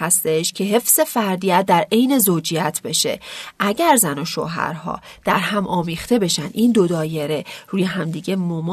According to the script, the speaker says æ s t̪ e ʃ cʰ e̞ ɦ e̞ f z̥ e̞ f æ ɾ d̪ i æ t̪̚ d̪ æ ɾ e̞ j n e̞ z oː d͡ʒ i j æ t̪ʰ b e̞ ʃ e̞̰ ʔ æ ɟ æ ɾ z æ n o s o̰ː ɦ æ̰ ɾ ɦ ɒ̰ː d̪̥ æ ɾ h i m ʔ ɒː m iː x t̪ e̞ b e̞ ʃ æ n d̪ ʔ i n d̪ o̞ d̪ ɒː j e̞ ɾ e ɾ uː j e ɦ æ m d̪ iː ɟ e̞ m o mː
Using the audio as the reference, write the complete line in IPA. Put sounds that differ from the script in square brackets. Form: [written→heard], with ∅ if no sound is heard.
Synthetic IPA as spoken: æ s t̪ e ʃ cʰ e̞ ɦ e̞ f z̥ e̞ f æ ɾ d̪ i æ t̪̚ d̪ æ ɾ e̞ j n e̞ z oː d͡ʒ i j æ t̪ʰ b e̞ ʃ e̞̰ ʔ æ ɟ æ ɾ z æ n o [s→ʃ] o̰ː ɦ æ̰ ɾ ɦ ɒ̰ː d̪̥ æ ɾ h [i→æ] m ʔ ɒː m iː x t̪ e̞ b e̞ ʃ æ n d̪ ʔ i n d̪ o̞ d̪ ɒː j e̞ ɾ e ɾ uː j e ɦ æ m d̪ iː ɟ e̞ m o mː